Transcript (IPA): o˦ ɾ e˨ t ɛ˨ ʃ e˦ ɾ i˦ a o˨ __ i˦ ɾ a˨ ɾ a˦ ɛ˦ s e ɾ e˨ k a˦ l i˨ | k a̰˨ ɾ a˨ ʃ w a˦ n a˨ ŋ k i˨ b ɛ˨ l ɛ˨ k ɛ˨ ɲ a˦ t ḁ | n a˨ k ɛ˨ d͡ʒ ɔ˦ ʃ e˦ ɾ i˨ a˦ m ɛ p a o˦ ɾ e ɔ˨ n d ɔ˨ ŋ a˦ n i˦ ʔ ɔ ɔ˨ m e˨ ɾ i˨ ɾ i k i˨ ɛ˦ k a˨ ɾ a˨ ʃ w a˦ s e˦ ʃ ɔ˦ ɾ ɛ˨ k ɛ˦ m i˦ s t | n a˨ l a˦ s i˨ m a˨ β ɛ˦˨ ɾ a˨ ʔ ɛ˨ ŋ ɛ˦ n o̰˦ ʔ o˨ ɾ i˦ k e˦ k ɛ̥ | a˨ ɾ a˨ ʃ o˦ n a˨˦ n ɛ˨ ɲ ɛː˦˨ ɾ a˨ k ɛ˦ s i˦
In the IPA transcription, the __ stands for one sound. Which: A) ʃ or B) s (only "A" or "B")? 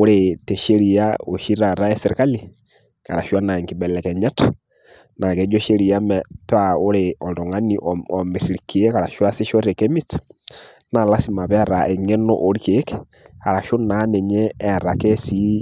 A